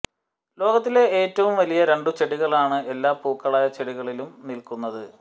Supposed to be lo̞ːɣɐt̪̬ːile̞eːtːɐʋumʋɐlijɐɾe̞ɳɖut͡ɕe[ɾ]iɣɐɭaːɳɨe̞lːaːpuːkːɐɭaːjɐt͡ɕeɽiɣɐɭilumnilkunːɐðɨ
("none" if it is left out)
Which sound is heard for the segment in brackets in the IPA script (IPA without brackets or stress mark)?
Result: ɽ